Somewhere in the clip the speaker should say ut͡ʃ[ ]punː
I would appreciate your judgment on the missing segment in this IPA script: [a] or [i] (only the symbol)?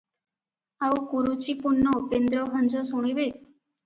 i